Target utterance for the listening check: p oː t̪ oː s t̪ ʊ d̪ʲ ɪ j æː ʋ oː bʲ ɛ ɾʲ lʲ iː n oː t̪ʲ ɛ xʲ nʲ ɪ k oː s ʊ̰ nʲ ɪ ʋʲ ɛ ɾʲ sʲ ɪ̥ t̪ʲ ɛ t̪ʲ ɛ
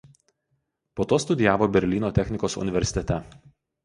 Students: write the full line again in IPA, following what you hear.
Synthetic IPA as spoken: p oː t̪ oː s t̪ ʊ d̪ʲ ɪ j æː ʋ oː bʲ ɛ ɾʲ lʲ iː n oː t̪ʲ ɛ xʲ nʲ ɪ k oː s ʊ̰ nʲ ɪ ʋʲ ɛ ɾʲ sʲ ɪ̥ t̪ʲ ɛ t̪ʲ ɛ